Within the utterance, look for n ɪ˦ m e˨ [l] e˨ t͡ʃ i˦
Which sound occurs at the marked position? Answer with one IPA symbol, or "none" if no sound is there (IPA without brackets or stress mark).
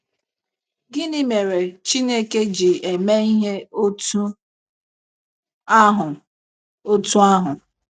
ɾ